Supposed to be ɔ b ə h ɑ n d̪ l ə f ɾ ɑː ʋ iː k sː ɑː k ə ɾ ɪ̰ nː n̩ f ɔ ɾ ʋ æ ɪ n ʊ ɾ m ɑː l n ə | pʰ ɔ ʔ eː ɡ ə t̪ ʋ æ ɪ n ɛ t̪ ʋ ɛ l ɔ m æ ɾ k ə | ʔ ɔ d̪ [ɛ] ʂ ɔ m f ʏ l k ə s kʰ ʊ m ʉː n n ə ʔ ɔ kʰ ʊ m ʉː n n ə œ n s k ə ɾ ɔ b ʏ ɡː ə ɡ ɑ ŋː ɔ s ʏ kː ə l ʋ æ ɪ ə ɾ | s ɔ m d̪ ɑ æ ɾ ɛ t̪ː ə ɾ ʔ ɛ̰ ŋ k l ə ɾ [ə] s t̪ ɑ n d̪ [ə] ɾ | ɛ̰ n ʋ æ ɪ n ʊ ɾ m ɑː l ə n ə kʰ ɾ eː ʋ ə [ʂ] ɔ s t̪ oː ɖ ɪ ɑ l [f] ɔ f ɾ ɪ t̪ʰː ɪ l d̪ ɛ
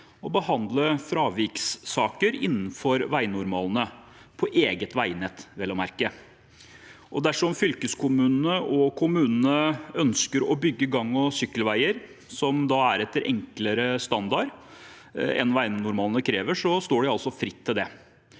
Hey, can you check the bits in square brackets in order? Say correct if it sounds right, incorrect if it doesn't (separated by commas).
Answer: incorrect, correct, incorrect, correct, incorrect